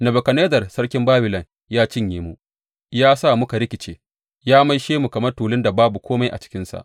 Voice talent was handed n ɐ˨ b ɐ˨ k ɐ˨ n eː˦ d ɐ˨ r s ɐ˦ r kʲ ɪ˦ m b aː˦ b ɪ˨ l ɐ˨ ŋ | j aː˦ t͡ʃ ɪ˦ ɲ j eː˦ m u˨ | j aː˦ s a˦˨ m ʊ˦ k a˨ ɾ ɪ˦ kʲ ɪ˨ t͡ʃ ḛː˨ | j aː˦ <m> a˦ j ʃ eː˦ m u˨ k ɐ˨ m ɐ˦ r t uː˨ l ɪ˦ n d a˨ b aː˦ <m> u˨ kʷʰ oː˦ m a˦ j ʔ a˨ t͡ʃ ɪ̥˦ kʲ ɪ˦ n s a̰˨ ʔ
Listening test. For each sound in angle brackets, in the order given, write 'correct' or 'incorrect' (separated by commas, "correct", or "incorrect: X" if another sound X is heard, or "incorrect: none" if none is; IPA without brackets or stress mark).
correct, incorrect: b